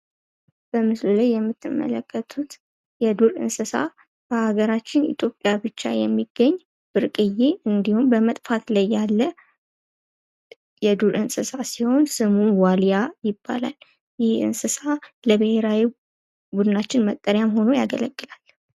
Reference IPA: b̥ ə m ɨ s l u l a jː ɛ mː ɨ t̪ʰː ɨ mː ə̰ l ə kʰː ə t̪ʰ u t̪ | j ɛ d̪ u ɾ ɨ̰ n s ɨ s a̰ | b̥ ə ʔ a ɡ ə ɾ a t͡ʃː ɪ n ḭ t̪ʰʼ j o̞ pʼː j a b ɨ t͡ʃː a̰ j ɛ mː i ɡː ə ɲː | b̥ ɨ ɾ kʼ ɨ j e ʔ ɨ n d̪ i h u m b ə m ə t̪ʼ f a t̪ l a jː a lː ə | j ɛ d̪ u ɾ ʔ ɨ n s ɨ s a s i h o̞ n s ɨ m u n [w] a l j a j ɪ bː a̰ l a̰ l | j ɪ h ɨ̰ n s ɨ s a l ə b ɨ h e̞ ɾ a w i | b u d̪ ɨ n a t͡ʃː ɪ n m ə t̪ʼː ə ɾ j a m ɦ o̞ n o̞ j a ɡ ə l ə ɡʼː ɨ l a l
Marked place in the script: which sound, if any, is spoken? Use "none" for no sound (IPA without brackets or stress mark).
w